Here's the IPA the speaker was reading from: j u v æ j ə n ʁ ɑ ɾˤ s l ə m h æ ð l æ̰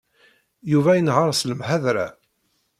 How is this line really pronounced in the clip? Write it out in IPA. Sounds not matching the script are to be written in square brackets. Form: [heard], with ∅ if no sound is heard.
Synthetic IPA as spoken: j u v æ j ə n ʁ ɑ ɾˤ s l ə m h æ ð [ɾ] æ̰

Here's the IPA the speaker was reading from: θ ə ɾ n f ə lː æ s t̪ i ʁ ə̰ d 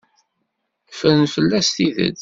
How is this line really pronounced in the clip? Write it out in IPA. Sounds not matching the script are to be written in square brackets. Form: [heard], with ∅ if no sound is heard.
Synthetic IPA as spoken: [f] ə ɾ n f ə lː æ s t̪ i [ð] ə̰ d

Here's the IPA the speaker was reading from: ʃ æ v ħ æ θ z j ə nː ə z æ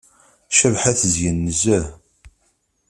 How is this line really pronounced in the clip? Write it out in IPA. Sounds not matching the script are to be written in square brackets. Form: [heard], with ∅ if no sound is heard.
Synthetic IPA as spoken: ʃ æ v ħ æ θ z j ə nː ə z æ

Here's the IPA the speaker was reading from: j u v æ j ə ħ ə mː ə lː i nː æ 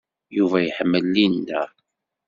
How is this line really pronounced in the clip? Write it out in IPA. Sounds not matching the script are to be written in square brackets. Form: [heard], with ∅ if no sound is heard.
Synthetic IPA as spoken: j u v æ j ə ħ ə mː ə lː i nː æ

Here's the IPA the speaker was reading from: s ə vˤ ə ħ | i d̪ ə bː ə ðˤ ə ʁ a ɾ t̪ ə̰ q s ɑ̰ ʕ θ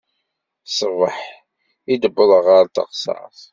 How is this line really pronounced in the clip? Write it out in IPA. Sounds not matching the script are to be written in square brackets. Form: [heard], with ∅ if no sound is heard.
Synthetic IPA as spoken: s ə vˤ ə ħ | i d̪ ə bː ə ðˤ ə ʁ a ɾ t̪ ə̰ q s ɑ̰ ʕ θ

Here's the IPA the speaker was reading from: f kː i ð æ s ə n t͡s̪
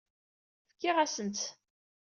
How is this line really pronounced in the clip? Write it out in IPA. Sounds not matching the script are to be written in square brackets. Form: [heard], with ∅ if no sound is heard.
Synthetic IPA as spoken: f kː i [ʁ] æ s ə n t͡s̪

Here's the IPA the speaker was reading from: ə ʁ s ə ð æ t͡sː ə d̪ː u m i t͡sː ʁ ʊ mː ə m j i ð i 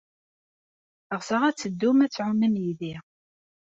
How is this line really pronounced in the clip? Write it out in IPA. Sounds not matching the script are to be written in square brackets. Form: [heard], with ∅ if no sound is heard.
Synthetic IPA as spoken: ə ʁ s ə [ʁ] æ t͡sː ə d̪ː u m [æ] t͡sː [ʕ] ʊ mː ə m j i ð i

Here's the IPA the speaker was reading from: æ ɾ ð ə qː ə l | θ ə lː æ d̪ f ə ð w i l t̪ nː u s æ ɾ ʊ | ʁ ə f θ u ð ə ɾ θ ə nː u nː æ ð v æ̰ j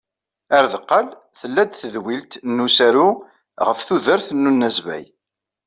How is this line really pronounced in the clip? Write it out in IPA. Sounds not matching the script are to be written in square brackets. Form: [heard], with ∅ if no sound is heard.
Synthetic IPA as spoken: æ ɾ ð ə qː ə l | θ ə lː æ d̪ [θ] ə ð w i l t̪ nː u s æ ɾ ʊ | ʁ ə f θ u ð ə ɾ θ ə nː u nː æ [z] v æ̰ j

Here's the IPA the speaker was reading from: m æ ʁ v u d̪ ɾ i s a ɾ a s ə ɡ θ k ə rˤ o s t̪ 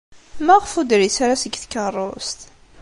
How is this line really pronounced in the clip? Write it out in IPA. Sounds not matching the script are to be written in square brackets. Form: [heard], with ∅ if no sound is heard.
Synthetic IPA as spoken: m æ ʁ [f] u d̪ ɾ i s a ɾ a s ə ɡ θ k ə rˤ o s t̪

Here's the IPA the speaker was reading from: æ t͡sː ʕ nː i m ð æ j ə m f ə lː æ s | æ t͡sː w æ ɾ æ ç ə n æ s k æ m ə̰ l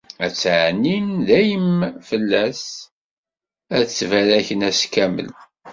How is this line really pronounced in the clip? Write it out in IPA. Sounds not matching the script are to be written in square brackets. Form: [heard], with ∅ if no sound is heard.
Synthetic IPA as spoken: æ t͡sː ʕ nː i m ð æ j ə m f ə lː æ s | æ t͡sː [v] æ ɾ æ ç ə n æ s k æ m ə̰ l

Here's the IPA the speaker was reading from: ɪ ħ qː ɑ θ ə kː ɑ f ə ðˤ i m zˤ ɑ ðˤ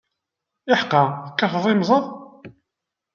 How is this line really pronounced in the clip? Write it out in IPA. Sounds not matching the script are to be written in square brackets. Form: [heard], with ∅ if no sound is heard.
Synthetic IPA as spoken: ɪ ħ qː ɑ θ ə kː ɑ f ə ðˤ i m zˤ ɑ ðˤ

